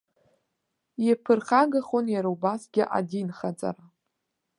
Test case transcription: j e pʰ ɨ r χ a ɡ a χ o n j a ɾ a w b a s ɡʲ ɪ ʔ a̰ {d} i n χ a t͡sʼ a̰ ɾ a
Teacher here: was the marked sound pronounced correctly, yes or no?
yes